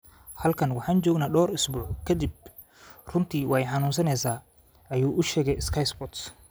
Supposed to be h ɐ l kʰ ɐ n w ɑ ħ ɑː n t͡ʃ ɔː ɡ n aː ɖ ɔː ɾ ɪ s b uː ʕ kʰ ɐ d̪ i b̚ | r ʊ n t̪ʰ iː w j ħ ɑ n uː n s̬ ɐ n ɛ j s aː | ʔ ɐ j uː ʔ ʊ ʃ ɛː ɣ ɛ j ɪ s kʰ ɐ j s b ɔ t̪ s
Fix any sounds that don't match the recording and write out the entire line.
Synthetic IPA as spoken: h ɐ l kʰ ɐ n w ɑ ħ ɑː n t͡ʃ ɔː ɡ n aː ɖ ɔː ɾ ɪ s b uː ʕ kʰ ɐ d̪ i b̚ | r ʊ n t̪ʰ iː w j ħ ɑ n uː n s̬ ɐ n ɛ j s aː | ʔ ɐ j uː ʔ ʊ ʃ ɛː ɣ ɛ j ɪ s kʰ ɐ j s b ɔ t̪ s

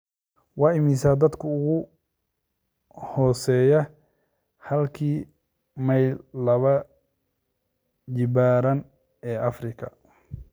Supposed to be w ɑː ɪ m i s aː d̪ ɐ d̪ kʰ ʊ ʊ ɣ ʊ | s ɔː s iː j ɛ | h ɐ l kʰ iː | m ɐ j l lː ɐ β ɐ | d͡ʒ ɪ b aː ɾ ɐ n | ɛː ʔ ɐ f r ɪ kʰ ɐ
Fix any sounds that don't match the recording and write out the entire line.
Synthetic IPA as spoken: w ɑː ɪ m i s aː d̪ ɐ d̪ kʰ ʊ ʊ ɣ ʊ | h ɔː s ɛː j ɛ | h ɐ l kʰ iː | m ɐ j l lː ɐ β ɐ | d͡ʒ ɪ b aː ɾ ɐ n | ɛː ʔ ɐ f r ɪ kʰ ɐ

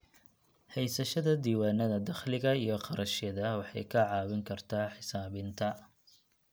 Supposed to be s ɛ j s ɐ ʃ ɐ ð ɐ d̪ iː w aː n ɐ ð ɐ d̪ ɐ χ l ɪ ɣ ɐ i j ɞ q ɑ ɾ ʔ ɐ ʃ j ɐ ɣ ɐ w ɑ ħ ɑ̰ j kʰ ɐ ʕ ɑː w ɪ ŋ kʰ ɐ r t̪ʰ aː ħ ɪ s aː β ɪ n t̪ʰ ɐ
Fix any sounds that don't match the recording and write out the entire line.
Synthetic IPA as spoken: h ɛ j s ɐ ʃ ɐ ð ɐ d̪ iː w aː n ɐ ð ɐ d̪ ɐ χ l ɪ ɣ ɐ i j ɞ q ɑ ɾ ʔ ɐ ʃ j ɐ ð ɐ w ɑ ħ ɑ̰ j kʰ ɐ ʕ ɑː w ɪ ŋ kʰ ɐ r t̪ʰ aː ħ ɪ s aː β ɪ n t̪ʰ ɐ

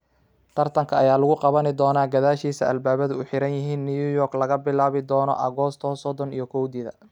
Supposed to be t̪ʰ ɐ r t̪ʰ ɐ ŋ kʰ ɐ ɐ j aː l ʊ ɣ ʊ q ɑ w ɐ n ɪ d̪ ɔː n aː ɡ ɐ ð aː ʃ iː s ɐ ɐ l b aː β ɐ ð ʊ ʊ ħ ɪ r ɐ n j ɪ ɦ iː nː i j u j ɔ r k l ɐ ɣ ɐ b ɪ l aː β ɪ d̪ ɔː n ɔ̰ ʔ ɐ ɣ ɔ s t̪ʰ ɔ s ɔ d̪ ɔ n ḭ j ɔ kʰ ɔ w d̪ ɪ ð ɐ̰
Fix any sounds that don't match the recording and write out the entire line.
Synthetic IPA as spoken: t̪ʰ ɐ r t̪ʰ ɐ ŋ kʰ ɐ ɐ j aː l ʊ ɣ ʊ q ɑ β ɐ n ɪ d̪ ɔː n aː ɡ ɐ ð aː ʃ iː s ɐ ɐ l b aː β ɐ ð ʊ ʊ ħ ɪ ɾ ɐ n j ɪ ɦ iː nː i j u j ɔ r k l ɐ ɣ ɐ b ɪ l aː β ɪ d̪ ɔː n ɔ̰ ʔ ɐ ɣ ɔ s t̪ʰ ɔ s ɔ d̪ ɔ n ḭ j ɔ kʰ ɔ w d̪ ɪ ð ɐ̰

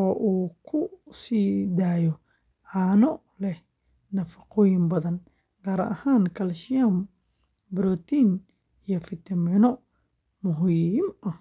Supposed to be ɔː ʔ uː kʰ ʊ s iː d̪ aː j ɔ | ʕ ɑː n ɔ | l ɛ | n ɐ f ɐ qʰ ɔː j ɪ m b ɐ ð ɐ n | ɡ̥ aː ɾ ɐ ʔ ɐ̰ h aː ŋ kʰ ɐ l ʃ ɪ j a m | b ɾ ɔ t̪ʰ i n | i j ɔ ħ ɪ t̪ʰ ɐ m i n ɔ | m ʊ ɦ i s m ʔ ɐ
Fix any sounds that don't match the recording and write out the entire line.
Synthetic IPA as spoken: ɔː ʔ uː kʰ ʊ s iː d̪ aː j ɔ | ʕ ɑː n ɔ | l ɛ | n ɐ f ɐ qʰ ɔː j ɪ m b ɐ ð ɐ n | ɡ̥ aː ɾ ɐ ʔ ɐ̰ h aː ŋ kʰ ɐ l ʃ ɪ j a m | b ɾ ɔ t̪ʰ i n | i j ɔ f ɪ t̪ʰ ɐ m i n ɔ | m ʊ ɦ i m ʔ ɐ

